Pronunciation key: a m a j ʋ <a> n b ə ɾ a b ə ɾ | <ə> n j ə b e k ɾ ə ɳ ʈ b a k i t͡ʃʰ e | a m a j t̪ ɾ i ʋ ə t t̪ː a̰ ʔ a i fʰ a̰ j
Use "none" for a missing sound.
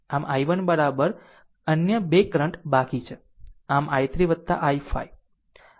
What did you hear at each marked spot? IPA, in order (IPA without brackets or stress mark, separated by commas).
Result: ə, ə